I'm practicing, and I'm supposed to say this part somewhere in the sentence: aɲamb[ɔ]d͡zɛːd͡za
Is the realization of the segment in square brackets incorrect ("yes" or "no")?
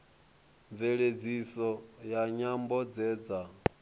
no